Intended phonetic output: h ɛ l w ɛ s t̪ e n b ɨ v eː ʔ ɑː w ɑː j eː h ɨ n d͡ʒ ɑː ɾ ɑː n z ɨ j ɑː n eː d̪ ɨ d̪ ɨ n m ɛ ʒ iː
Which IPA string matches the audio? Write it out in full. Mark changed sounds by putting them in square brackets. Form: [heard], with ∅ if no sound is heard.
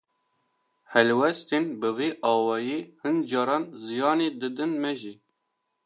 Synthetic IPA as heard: h ɛ l w ɛ s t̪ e n b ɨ v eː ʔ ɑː w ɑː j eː h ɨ n d͡ʒ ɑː ɾ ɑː n z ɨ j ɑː n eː d̪ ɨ d̪ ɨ n m ɛ ʒ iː